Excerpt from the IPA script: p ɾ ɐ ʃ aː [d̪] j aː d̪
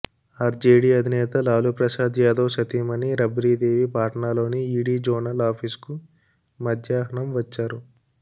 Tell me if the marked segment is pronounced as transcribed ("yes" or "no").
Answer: yes